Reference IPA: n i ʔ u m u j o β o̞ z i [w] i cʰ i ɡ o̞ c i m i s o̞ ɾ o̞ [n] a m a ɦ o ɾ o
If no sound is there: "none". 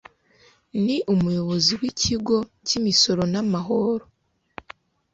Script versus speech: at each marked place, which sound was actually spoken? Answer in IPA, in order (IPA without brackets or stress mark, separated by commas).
w, n